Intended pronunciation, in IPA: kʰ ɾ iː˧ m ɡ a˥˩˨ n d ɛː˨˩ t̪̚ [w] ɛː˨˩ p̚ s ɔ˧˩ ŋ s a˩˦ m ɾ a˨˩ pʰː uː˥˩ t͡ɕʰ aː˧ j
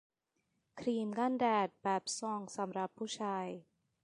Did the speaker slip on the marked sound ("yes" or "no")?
yes